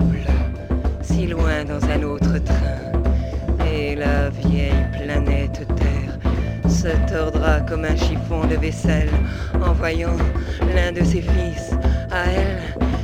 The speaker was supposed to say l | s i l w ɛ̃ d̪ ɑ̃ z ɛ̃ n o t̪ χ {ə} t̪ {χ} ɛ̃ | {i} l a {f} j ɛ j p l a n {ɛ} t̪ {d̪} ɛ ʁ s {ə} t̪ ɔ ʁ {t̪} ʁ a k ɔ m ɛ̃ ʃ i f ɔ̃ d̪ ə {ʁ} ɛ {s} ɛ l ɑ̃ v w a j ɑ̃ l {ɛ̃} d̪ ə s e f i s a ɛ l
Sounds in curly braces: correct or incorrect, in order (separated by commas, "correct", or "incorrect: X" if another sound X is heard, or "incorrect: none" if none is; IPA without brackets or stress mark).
correct, correct, incorrect: e, incorrect: v, correct, incorrect: t̪, correct, incorrect: d̪, incorrect: v, correct, correct